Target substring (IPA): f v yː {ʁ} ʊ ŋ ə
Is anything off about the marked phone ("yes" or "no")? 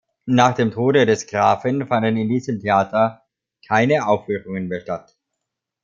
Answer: no